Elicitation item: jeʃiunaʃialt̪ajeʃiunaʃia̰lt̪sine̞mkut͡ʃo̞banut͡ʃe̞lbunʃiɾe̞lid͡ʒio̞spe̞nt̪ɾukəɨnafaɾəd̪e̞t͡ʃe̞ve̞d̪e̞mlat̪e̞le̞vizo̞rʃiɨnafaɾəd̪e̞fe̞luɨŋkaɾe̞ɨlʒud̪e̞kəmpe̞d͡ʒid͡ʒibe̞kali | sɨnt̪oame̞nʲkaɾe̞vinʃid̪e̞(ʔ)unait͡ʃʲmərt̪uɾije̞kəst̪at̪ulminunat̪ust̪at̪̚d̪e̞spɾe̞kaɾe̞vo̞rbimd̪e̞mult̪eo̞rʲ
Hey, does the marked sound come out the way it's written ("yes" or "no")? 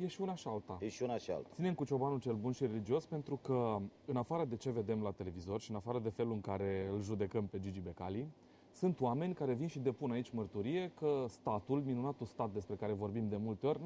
no